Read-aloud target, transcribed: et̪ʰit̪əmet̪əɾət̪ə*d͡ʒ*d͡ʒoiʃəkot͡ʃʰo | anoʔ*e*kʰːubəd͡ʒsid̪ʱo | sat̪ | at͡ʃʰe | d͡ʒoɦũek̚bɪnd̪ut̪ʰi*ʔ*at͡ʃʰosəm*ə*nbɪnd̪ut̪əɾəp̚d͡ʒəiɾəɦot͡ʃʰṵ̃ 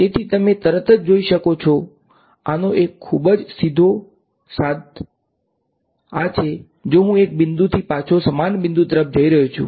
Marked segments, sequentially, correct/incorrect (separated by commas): correct, correct, incorrect, incorrect